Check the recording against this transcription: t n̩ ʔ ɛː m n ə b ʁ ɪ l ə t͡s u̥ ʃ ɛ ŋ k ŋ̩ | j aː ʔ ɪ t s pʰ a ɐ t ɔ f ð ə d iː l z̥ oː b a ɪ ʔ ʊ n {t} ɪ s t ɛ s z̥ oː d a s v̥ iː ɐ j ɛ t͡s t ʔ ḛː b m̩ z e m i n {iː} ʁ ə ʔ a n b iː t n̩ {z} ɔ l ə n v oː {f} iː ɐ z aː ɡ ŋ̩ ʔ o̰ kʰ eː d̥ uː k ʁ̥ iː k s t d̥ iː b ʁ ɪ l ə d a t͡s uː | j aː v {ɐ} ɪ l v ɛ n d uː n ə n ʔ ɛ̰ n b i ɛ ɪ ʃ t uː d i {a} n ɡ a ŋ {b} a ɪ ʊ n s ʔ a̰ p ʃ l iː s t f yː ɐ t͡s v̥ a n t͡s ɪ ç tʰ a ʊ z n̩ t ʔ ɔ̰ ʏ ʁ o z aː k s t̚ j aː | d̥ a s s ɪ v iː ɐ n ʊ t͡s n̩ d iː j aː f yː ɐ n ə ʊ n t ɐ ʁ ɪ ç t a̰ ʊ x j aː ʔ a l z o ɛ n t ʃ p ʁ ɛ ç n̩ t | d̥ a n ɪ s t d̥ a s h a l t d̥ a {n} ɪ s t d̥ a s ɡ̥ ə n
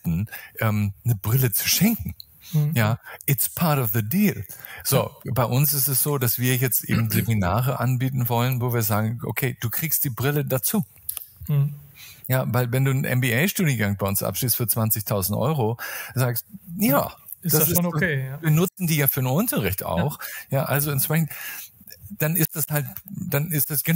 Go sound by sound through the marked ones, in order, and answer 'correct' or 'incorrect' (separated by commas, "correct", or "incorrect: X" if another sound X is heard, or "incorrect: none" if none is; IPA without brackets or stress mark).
incorrect: s, incorrect: aː, incorrect: v, incorrect: v, incorrect: a, incorrect: ə, correct, correct